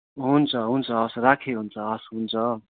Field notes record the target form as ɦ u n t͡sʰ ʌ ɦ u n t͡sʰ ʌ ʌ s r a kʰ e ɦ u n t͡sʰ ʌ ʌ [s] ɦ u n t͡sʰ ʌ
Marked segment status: correct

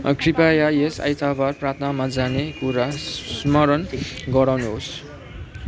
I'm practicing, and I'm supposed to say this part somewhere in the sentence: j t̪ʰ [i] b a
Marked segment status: incorrect: a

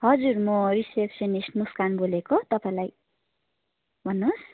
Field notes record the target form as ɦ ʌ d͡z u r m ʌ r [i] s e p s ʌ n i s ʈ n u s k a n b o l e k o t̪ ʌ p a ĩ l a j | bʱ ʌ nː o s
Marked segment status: correct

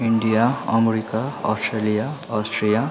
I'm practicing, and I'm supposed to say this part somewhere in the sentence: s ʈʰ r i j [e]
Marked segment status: incorrect: a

